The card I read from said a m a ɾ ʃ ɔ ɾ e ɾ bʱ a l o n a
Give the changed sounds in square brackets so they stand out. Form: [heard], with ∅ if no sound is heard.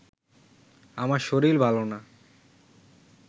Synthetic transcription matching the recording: a m a ɾ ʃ [o] ɾ [i] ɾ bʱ a l o n a